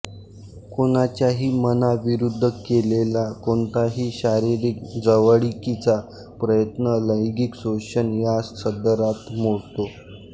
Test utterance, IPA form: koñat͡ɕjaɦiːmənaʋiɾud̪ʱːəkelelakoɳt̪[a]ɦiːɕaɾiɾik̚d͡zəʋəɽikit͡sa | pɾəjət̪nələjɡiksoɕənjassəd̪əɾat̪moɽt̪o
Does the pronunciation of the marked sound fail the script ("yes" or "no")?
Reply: no